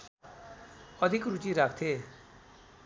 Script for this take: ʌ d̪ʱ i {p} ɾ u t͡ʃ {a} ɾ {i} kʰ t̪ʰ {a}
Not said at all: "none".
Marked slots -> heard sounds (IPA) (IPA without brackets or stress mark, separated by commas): k, i, a, e